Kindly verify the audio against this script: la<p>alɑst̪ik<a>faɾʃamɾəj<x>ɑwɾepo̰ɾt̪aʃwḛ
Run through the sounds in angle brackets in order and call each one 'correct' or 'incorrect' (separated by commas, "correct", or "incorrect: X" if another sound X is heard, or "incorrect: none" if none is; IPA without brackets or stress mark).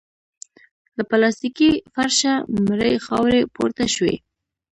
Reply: correct, incorrect: i, correct